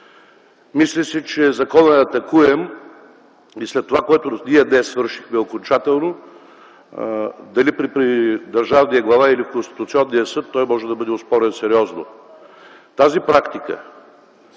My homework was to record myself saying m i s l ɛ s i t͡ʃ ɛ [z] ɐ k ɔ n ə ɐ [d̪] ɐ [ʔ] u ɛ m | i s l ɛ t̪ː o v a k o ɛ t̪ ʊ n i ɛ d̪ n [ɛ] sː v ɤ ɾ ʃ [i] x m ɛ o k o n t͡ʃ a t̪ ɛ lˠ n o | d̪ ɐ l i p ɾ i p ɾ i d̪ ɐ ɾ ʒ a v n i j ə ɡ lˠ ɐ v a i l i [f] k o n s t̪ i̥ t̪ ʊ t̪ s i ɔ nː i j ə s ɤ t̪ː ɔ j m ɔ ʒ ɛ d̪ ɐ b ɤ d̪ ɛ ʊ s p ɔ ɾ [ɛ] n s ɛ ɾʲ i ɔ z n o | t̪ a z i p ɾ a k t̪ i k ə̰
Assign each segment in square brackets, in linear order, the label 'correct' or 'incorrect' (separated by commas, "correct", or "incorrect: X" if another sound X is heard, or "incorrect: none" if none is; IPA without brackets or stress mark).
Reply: correct, incorrect: t̪, incorrect: k, correct, correct, correct, correct